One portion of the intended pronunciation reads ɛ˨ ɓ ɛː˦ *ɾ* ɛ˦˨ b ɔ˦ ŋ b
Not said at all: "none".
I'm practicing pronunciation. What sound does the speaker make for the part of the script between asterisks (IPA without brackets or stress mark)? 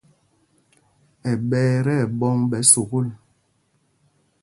ɾ